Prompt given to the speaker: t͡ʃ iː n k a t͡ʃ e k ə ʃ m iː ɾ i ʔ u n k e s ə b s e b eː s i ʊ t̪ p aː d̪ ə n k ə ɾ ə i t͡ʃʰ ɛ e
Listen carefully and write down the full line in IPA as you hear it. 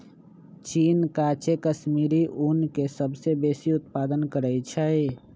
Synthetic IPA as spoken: t͡ʃ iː n k a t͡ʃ e k ə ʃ m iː ɾ i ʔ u n k e s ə b s e b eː s i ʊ t̪ p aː d̪ ə n k ə ɾ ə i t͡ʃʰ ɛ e